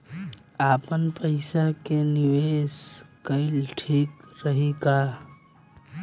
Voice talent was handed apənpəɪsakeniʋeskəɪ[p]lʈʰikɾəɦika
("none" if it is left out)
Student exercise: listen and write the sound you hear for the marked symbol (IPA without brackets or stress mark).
none